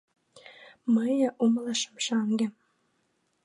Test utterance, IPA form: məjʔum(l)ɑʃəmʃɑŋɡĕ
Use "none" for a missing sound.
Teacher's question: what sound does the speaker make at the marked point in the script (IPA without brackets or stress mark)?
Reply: l